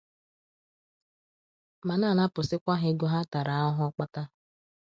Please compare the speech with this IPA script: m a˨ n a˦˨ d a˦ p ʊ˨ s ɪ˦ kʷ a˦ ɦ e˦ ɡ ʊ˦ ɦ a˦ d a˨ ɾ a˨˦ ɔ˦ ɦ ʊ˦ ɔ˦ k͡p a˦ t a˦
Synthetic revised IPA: m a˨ n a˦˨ n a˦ p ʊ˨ s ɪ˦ kʷ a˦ ɦ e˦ ɡ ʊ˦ ɦ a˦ t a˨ ɾ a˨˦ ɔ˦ ɦ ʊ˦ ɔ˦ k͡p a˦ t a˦